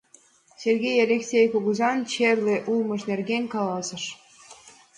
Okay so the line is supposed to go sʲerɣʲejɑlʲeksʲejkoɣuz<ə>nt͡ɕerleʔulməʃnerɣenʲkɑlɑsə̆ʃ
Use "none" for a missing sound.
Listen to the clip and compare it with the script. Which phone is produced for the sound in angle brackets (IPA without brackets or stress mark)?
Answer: ɑ